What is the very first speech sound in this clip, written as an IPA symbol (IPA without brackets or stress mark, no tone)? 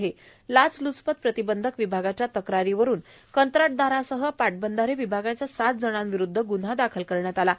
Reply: ɦ